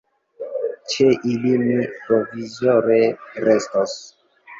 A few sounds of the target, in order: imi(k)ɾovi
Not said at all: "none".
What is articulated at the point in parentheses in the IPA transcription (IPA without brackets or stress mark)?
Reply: p